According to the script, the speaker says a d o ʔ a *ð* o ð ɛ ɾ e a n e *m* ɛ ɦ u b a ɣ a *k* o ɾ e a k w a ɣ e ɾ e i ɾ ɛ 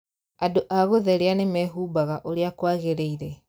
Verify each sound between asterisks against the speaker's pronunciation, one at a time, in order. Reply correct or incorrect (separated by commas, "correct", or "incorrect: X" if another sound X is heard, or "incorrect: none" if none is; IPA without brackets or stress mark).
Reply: incorrect: ɣ, correct, incorrect: ʔ